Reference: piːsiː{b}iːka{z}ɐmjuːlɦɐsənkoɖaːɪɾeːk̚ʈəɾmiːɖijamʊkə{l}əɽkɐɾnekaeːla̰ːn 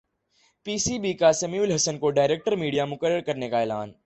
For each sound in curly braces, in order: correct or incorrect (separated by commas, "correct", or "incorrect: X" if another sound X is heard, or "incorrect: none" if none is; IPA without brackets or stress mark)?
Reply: correct, incorrect: s, incorrect: ɾ